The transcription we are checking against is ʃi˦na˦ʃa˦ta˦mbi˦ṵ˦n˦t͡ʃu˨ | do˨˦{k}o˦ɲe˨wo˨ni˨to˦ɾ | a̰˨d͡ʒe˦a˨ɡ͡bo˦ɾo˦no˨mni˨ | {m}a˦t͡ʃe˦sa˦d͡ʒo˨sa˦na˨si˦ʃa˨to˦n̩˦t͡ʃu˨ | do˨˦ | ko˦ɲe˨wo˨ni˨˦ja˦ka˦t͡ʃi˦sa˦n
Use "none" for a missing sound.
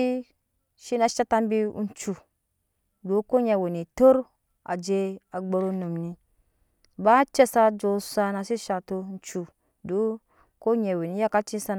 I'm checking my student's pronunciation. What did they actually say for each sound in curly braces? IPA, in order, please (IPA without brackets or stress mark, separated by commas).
k, b